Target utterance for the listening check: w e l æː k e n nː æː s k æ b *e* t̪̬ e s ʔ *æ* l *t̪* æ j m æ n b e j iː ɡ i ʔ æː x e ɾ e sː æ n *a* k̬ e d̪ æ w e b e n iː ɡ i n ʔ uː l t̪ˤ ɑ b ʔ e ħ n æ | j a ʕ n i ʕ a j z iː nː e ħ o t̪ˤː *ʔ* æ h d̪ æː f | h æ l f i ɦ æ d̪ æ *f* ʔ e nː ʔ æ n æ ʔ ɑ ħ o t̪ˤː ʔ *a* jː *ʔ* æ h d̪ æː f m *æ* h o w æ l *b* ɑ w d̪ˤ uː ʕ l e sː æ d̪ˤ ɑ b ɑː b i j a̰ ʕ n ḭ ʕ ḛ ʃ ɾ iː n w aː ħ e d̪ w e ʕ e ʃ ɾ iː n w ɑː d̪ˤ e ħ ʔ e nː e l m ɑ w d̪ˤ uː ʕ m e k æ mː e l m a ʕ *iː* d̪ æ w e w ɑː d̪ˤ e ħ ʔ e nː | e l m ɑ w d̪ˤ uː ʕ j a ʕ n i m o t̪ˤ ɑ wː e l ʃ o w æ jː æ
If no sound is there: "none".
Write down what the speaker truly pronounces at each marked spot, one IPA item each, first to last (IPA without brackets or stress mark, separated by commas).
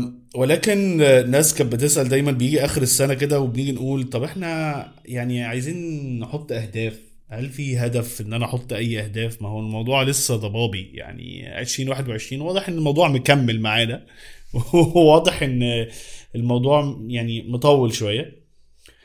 e, æ, d̪, æ, ʔ, f, æ, ʔ, æ, m, aː